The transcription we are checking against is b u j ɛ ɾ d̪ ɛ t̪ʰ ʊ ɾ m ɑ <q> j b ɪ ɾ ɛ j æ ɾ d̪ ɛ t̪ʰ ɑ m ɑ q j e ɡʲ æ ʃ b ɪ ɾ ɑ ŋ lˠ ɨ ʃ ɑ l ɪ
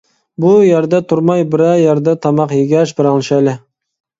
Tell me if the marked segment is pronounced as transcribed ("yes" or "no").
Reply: no